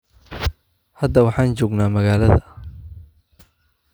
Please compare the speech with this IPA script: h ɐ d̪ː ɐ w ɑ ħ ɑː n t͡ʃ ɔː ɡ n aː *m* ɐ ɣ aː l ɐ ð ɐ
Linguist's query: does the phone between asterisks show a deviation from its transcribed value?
no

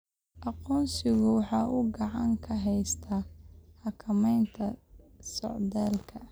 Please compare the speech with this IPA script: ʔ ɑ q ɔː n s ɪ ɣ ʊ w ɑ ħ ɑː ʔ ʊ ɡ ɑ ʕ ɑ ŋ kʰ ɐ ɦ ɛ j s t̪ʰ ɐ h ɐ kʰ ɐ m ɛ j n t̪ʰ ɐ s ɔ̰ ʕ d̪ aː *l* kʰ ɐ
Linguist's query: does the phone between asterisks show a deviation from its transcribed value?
no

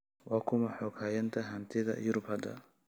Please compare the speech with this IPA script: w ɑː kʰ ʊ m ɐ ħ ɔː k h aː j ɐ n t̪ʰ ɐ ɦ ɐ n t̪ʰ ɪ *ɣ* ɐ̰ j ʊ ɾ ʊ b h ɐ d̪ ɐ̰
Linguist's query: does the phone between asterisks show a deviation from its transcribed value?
yes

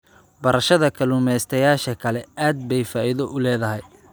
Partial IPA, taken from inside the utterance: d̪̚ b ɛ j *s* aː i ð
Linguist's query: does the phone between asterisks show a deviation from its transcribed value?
yes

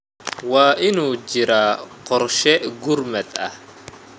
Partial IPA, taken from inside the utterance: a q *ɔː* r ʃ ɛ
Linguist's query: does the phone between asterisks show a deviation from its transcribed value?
yes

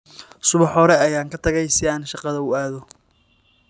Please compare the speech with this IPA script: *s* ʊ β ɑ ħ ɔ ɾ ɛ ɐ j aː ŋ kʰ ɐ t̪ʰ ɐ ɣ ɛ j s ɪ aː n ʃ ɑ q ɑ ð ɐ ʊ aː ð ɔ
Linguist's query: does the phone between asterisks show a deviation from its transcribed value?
no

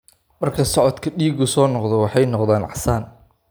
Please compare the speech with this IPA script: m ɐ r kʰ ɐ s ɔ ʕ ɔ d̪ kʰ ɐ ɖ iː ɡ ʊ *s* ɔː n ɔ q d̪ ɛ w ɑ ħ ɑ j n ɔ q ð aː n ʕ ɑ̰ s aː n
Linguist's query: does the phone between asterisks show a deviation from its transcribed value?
no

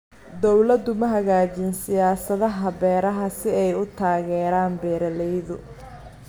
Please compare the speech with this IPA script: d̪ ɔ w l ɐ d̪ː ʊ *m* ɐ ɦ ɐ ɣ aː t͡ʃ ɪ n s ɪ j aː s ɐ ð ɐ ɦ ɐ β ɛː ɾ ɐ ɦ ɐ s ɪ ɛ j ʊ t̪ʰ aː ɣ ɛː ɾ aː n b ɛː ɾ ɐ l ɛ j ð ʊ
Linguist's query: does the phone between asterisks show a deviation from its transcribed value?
no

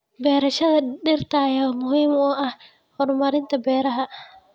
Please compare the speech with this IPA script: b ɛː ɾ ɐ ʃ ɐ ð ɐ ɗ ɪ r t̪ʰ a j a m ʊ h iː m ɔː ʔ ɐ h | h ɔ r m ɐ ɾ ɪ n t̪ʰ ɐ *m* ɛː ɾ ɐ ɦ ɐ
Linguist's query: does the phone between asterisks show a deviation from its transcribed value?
yes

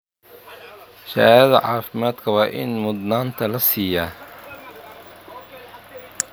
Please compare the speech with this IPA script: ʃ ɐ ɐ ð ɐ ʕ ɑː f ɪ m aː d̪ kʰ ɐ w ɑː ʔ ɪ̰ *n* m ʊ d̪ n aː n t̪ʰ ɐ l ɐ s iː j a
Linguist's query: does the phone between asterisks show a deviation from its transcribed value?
no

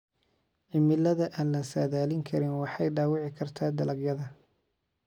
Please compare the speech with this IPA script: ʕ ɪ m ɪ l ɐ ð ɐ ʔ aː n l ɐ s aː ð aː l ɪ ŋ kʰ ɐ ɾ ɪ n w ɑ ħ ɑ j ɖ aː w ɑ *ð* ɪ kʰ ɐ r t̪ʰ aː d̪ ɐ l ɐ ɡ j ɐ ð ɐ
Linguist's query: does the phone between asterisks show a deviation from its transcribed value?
yes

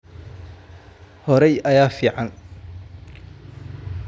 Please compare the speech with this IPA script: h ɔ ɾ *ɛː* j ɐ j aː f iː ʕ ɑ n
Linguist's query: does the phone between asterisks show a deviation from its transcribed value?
yes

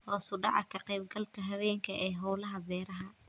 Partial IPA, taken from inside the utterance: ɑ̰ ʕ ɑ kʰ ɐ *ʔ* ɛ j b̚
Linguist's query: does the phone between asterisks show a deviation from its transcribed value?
yes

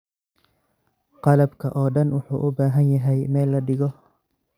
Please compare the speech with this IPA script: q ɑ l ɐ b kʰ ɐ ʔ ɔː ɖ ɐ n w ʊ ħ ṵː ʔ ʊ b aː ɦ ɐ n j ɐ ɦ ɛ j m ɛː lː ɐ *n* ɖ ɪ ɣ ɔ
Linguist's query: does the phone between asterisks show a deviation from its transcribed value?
yes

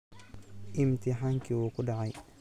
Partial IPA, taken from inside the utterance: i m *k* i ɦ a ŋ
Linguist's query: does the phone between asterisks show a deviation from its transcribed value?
yes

